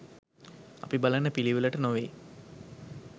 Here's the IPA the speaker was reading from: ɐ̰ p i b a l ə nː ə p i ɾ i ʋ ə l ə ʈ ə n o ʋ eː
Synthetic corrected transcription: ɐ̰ p i b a l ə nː ə p i l i ʋ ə l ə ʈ ə n o ʋ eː